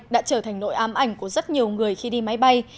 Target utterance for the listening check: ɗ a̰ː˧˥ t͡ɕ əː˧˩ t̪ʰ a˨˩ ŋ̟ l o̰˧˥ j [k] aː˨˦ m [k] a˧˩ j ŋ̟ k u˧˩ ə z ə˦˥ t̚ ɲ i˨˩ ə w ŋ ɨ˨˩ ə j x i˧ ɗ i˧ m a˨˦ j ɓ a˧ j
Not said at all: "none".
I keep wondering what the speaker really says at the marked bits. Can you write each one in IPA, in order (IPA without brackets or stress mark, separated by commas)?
ʔ, ʔ